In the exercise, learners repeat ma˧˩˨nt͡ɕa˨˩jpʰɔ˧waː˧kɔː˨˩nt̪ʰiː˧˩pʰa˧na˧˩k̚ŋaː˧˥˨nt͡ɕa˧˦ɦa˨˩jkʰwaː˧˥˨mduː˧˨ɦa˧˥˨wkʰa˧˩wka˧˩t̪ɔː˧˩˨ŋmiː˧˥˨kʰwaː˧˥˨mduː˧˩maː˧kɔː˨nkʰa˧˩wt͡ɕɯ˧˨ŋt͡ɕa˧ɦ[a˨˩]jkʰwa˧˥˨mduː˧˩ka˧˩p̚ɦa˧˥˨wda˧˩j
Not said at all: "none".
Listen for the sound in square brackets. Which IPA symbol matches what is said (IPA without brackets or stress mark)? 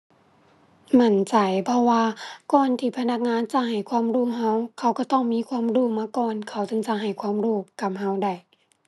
a˨˩